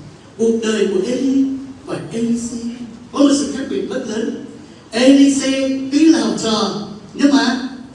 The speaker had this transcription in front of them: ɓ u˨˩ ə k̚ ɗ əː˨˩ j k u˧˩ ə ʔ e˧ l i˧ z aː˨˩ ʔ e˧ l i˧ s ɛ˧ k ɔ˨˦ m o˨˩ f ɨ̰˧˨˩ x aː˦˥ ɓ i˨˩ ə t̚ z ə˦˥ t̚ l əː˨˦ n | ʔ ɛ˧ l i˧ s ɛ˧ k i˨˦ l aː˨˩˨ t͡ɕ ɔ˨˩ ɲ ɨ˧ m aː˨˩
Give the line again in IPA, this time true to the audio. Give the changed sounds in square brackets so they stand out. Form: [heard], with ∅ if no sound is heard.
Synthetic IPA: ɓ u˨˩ ə k̚ ɗ əː˨˩ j k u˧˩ ə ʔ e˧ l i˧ [v] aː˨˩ ʔ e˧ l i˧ s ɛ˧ k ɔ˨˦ m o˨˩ [s] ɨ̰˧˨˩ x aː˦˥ ɓ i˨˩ ə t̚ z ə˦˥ t̚ l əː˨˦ n | ʔ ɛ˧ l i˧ s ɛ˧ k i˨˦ l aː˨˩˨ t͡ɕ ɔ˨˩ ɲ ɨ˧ m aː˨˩